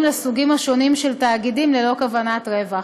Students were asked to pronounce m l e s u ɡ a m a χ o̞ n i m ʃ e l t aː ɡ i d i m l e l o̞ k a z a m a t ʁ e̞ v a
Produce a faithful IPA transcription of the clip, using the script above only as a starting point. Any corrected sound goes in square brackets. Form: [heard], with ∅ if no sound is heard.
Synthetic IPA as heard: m l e s u ɡ [i] m a [ʃ] o̞ n i m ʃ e l t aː ɡ i d i m l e l o̞ k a [v] a [n] a t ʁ e̞ v a